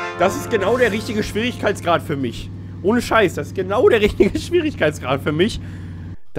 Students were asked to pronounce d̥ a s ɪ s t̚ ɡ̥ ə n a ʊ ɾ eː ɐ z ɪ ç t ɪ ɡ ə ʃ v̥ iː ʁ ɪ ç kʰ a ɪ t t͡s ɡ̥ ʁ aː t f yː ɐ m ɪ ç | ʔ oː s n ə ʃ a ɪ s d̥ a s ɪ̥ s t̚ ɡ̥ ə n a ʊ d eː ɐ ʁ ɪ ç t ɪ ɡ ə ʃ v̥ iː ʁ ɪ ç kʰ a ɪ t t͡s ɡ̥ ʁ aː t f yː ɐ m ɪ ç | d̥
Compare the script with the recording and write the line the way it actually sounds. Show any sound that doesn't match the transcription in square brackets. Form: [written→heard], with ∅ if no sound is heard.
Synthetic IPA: d̥ a s ɪ s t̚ ɡ̥ ə n a ʊ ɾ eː ɐ [z→ʁ] ɪ ç t ɪ ɡ ə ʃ v̥ iː ʁ ɪ ç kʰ a ɪ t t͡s ɡ̥ ʁ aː t f yː ɐ m ɪ ç | ʔ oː [s→∅] n ə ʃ a ɪ s d̥ a s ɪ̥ s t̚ ɡ̥ ə n a ʊ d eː ɐ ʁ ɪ ç t ɪ ɡ ə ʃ v̥ iː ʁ ɪ ç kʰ a ɪ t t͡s ɡ̥ ʁ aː t f yː ɐ m ɪ ç | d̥